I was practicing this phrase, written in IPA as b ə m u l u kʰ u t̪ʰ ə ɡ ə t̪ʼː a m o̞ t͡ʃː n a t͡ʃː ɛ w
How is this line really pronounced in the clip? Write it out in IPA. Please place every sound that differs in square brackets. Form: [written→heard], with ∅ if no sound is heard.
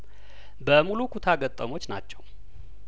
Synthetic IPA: b ə m u l u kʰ u t̪ʰ [ə→a] ɡ ə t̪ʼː [a→ə] m o̞ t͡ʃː n a t͡ʃː ɛ w